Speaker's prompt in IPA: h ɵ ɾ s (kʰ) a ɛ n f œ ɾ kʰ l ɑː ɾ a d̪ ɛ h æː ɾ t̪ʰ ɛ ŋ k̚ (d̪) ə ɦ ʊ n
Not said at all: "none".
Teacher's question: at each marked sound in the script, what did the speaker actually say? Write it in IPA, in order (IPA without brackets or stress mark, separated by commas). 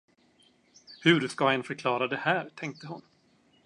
k, t̪